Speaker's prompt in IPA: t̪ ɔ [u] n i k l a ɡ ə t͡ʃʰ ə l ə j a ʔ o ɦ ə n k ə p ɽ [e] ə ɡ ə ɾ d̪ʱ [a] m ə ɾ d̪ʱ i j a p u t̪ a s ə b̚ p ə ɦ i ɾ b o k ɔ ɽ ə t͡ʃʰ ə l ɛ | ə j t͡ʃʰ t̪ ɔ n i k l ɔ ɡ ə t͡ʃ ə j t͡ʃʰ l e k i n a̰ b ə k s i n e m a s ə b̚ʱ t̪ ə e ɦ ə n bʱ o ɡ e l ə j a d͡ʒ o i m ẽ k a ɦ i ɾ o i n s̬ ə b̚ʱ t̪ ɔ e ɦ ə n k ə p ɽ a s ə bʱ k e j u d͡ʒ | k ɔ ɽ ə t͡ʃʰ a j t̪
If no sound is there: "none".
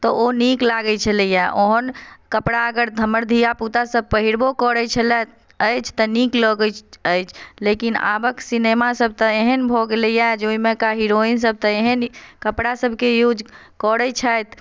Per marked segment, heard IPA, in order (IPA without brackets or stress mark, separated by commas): o, a, ə